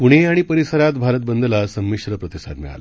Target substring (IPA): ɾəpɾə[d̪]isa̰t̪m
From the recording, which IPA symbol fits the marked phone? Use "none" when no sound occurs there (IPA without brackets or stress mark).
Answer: t̪